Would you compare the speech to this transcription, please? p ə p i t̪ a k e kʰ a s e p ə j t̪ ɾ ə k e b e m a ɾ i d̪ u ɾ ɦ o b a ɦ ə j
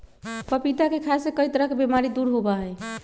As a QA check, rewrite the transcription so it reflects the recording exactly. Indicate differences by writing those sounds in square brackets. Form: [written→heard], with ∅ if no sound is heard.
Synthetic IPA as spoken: p ə p i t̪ a k e kʰ a s e [p→k] ə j t̪ ɾ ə k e b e m a ɾ i d̪ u ɾ ɦ o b a ɦ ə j